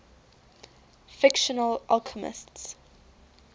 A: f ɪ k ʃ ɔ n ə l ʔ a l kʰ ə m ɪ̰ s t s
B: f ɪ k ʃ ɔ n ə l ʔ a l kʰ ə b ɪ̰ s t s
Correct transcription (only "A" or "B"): A